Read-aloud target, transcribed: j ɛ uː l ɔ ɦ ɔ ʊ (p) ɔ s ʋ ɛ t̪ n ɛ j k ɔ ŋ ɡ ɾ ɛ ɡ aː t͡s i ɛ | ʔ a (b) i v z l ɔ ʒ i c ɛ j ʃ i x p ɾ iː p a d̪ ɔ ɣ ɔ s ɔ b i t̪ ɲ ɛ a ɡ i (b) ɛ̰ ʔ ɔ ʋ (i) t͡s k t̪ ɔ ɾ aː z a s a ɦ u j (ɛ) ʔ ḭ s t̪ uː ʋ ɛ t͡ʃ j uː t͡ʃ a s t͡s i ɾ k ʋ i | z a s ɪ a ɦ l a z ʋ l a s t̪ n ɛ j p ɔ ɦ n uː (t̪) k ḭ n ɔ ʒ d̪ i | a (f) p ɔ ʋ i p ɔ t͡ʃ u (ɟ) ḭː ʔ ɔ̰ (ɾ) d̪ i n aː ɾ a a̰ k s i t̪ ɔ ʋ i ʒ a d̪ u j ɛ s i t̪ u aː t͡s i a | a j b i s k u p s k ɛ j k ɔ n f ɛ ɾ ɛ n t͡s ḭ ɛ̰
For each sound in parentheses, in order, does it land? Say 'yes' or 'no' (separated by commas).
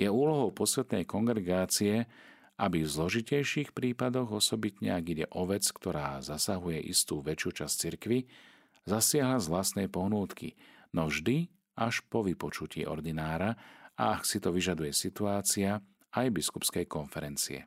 yes, yes, no, no, yes, yes, no, no, yes